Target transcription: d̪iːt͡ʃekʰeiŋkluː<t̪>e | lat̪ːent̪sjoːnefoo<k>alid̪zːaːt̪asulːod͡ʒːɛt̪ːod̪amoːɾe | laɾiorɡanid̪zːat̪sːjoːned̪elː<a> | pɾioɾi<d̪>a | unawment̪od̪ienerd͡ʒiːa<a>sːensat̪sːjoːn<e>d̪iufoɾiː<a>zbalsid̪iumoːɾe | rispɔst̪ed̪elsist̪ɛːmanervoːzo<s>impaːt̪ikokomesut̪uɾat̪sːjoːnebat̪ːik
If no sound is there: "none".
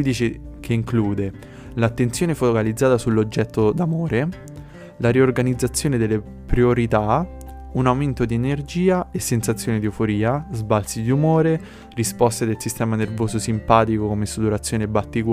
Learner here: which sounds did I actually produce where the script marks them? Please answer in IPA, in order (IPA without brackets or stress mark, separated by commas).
d̪, k, e, t̪, e, e, a, s